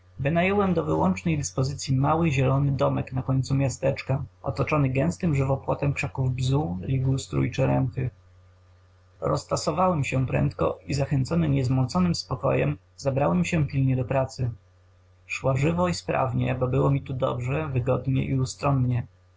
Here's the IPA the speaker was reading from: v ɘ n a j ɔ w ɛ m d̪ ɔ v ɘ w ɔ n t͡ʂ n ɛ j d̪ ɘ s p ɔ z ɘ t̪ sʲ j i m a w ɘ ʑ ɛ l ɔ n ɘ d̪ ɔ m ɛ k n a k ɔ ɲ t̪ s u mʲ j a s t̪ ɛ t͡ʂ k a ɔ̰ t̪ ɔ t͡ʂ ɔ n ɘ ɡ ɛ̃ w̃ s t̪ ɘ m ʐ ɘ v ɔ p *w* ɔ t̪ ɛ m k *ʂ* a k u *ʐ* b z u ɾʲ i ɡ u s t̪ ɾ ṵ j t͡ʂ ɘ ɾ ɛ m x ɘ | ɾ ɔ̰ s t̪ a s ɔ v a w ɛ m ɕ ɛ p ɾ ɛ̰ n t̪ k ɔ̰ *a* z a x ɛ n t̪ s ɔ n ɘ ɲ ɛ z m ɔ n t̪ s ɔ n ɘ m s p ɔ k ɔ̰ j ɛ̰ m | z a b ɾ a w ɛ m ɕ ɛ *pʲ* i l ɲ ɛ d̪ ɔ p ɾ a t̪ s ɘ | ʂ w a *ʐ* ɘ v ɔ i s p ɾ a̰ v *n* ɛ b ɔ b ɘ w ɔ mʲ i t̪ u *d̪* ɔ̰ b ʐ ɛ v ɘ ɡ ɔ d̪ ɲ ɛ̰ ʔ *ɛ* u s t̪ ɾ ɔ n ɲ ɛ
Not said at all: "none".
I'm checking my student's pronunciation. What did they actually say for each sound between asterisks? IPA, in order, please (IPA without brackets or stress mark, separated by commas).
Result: w, ʂ, v, i, pʲ, ʐ, ɲ, d̪, i